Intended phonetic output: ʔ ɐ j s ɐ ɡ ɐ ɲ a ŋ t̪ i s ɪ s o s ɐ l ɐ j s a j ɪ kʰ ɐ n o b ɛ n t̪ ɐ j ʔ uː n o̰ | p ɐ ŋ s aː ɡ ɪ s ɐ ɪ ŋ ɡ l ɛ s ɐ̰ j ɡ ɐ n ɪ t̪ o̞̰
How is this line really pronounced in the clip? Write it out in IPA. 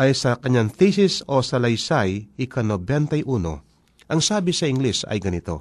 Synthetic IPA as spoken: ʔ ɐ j s ɐ k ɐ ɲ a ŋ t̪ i s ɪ s o s ɐ l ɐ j s a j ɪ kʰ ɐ n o b ɛ n t̪ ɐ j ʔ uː n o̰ | ʔ ɐ ŋ s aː b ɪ s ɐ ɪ ŋ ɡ l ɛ s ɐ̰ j ɡ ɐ n ɪ t̪ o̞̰